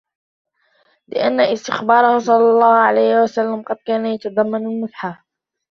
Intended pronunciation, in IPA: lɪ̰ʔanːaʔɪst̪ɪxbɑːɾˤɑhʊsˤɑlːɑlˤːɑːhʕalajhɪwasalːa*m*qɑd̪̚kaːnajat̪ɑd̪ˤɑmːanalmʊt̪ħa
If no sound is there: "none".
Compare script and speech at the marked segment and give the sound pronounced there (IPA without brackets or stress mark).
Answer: m